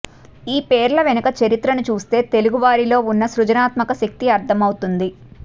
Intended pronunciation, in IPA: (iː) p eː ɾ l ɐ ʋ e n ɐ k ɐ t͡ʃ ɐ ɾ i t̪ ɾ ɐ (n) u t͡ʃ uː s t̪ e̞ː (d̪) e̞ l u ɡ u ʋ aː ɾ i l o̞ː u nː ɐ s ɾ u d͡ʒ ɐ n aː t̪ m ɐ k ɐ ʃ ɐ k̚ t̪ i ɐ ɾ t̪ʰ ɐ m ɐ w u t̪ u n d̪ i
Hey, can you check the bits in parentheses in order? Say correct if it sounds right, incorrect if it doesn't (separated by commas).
correct, correct, incorrect